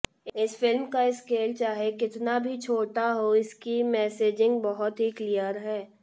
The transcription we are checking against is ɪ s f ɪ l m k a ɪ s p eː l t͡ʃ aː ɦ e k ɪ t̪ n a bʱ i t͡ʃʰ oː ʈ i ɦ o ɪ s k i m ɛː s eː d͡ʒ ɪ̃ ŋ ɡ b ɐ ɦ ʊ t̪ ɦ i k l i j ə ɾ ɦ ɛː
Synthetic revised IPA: ɪ s f ɪ l m k a ɪ s k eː l t͡ʃ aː ɦ e k ɪ t̪ n a bʱ i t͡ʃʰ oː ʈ a ɦ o ɪ s k i m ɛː s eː d͡ʒ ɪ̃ ŋ ɡ b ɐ ɦ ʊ t̪ ɦ i k l i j ə ɾ ɦ ɛː